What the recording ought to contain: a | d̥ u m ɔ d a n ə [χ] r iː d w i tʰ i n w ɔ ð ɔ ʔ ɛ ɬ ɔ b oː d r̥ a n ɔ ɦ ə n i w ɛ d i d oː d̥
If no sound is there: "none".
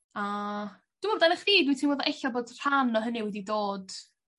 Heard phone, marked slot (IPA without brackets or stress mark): χ